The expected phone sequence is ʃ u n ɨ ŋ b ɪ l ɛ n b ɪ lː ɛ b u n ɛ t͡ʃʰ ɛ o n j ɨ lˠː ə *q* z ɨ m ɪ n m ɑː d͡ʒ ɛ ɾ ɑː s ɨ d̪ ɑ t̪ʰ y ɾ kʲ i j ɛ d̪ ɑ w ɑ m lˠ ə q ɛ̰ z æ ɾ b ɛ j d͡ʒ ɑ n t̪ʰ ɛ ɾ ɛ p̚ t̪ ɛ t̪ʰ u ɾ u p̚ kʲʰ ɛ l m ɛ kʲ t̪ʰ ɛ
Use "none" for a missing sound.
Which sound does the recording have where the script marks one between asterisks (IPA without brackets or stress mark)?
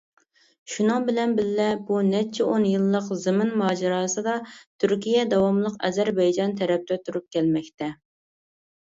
q